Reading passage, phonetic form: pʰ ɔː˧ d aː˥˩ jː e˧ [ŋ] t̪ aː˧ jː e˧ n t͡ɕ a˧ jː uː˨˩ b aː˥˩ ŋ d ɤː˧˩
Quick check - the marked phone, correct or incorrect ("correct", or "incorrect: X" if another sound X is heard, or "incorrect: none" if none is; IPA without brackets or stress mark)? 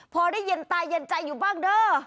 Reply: incorrect: n